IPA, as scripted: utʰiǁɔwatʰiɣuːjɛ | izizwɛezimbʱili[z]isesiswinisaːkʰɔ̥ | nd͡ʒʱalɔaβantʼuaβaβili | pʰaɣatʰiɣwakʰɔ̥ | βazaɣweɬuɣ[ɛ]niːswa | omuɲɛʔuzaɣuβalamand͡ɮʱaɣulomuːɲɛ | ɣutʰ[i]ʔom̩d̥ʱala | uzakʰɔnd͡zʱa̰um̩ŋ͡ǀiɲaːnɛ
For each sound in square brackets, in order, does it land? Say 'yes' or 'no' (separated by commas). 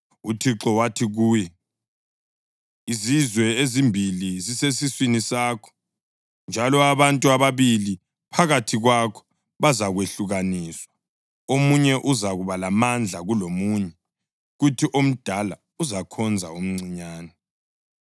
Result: yes, no, yes